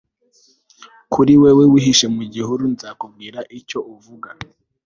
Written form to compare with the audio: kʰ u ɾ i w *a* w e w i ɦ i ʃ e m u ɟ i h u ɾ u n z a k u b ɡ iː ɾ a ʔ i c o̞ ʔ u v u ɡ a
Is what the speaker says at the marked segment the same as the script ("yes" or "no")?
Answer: no